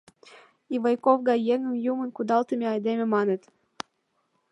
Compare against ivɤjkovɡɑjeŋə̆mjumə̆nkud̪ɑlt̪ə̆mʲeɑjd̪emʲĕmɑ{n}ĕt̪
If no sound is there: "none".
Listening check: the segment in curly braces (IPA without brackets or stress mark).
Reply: n